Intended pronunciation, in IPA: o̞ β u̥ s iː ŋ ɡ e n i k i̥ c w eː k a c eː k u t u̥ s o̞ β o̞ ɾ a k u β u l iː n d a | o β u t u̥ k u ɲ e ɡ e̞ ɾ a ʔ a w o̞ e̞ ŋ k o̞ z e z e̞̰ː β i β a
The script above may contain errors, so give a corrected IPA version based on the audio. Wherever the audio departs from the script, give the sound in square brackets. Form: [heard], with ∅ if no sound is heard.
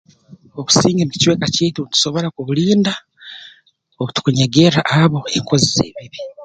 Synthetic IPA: o̞ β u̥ s iː ŋ ɡ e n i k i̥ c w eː k a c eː [t] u t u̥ s o̞ β o̞ ɾ a k u β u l iː n d a | o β u t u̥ k u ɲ e ɡ e̞ ɾ a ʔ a [β] o̞ e̞ ŋ k o̞ z [i] z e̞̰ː β i β [i]